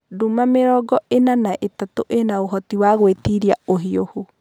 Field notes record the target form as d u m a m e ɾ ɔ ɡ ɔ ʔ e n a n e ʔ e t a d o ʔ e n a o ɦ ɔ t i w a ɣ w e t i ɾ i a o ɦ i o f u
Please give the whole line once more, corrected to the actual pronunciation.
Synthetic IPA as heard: d u m a m e ɾ ɔ ɡ ɔ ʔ e n a n a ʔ e t a t o ʔ e n a o ɦ ɔ t i w a ɣ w e t i ɾ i a o ɦ i o h u